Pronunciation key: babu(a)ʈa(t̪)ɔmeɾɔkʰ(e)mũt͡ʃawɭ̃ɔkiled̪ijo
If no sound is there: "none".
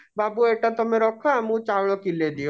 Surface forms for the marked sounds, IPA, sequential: e, t̪, a

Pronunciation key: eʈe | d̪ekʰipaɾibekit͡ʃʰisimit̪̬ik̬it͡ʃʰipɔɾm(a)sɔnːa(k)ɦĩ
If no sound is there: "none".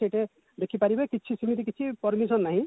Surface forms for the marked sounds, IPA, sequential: i, none

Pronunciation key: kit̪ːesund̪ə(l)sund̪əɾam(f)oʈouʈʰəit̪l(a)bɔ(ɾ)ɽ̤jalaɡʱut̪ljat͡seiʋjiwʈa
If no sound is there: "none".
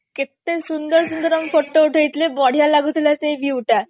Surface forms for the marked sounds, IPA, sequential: ɾ, f, e, none

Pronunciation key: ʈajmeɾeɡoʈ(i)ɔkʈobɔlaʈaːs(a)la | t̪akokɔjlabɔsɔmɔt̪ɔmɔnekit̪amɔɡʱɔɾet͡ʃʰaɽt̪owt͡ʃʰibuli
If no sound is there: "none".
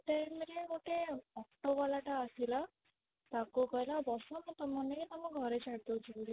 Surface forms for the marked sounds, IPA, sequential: e, i

